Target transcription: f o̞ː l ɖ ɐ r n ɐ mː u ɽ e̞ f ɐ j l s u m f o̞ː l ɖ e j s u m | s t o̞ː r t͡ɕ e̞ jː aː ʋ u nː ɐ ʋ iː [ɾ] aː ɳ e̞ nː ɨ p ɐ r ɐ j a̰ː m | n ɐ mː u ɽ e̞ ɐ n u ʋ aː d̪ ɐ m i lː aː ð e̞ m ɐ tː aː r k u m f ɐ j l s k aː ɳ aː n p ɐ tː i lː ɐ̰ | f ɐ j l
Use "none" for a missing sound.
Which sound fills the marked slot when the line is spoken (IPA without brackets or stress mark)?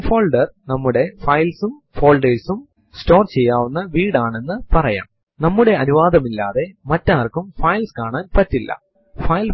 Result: ɽ